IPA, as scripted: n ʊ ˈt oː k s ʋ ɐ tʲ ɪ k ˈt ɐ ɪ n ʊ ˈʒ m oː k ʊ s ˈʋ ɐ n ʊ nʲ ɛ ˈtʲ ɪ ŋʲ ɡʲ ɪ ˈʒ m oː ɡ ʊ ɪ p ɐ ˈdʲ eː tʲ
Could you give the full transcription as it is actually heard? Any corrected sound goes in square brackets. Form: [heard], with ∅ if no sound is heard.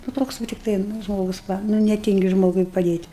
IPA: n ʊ ˈt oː k s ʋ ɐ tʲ ɪ k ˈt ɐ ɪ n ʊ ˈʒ m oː [ɡ] ʊ s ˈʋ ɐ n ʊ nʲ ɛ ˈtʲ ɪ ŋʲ ɡʲ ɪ ˈʒ m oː ɡ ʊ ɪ p ɐ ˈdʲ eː tʲ

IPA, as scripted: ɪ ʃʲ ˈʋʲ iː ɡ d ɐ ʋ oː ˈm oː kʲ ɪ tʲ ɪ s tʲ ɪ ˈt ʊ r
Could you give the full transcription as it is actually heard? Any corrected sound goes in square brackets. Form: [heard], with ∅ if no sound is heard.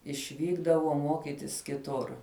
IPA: ɪ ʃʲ ˈʋʲ iː ɡ d ɐ ʋ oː ˈm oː kʲ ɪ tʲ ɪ s [kʲ] ɪ ˈt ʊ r

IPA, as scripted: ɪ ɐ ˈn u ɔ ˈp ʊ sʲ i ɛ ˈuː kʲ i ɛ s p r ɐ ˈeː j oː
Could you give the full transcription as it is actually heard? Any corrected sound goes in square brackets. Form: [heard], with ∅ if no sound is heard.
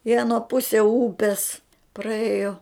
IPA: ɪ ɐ ˈn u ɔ ˈp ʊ sʲ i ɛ ˈuː [pʲ] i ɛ s p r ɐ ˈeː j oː

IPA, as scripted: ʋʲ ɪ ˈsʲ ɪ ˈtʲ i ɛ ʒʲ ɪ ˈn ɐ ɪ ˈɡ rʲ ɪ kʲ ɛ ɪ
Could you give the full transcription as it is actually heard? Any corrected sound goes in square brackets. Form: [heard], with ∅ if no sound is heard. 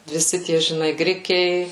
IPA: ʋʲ ɪ ˈsʲ ɪ ˈtʲ i ɛ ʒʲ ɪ ˈn ɐ ɪ ˈɡ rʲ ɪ kʲ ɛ ɪ

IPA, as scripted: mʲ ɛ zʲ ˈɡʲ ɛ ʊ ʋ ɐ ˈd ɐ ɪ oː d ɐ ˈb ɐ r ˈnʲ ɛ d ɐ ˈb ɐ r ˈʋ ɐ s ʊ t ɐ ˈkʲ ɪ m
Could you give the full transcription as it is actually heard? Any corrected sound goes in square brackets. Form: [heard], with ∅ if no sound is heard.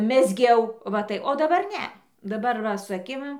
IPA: mʲ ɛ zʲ ˈɡʲ ɛ ʊ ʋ ɐ [ˈt] ɐ ɪ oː d ɐ ˈb ɐ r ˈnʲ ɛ d ɐ ˈb ɐ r ˈʋ ɐ s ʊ [∅] ɐ ˈkʲ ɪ m

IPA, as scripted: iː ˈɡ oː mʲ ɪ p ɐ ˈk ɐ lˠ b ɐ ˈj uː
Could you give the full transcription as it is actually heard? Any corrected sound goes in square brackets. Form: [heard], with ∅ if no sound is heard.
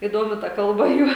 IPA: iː [ˈd] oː mʲ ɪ [t] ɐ ˈk ɐ lˠ b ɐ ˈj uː

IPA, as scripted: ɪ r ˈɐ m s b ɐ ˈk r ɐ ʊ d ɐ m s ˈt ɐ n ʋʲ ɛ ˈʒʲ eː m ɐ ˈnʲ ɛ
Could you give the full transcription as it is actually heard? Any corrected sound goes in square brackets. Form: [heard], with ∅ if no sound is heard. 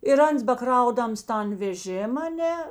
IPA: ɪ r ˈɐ [n] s b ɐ ˈk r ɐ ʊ d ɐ m s ˈt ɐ n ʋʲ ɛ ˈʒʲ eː m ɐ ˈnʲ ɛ

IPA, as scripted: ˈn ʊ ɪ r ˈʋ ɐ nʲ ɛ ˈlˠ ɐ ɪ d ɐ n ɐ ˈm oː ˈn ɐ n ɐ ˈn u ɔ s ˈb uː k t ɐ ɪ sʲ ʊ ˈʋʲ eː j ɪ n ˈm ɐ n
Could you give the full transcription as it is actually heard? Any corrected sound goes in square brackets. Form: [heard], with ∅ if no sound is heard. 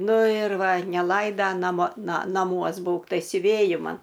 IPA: ˈn ʊ ɪ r ˈʋ ɐ nʲ ɛ ˈlˠ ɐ ɪ d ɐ n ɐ ˈm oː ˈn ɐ n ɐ [ˈm] u ɔ s ˈb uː k t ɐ ɪ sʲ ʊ ˈʋʲ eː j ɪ [∅] ˈm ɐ n

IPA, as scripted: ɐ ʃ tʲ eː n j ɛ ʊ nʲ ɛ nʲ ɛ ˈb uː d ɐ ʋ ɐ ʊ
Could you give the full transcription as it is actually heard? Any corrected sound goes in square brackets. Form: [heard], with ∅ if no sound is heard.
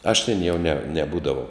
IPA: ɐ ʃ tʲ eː n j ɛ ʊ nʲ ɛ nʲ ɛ ˈb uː d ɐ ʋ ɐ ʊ

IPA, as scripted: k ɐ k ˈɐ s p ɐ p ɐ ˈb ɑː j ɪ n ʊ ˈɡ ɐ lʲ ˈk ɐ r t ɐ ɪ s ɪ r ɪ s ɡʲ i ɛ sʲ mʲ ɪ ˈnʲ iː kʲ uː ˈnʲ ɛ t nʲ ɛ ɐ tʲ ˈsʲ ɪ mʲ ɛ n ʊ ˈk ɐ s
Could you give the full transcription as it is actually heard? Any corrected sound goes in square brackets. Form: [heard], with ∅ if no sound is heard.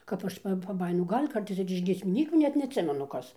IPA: k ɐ [p] ˈɐ [ʃ] p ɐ p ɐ ˈb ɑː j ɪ n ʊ ˈɡ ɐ lʲ ˈk ɐ r t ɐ ɪ s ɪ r ɪ [ʃ] ɡʲ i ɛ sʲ mʲ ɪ ˈnʲ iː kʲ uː ˈnʲ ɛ t nʲ ɛ ɐ tʲ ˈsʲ ɪ mʲ ɛ n ʊ ˈk ɐ s

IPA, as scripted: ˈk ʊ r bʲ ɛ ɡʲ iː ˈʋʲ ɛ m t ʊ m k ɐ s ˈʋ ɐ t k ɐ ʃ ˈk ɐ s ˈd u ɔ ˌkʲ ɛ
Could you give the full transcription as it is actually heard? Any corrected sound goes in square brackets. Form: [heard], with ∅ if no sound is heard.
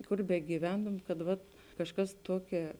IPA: ˈk ʊ r bʲ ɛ ɡʲ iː ˈʋʲ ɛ [n] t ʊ m k ɐ [t] ˈʋ ɐ t k ɐ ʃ ˈk ɐ s [ˈt] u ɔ ˌkʲ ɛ

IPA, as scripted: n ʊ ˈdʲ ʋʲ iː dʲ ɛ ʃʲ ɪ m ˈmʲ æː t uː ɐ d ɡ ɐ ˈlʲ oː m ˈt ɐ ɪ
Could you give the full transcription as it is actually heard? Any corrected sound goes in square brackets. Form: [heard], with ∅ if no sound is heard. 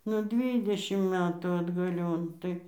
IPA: n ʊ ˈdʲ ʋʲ iː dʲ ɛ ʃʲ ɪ m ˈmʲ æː t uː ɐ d ɡ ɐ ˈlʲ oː [n] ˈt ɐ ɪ

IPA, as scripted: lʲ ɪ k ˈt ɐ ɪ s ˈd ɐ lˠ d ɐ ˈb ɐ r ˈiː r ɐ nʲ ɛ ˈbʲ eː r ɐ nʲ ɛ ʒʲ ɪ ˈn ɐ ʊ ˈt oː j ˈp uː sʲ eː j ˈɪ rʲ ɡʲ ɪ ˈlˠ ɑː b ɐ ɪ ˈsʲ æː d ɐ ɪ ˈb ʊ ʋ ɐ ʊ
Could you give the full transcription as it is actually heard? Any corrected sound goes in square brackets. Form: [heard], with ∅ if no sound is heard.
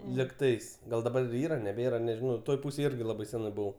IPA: lʲ ɪ k ˈt ɐ ɪ s [ˈɡ] ɐ lˠ d ɐ ˈb ɐ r ˈiː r ɐ nʲ ɛ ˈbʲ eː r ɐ nʲ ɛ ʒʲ ɪ ˈn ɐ ʊ ˈt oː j ˈp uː sʲ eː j ˈɪ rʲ ɡʲ ɪ ˈlˠ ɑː b ɐ ɪ ˈsʲ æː [n] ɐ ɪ ˈb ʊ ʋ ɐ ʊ

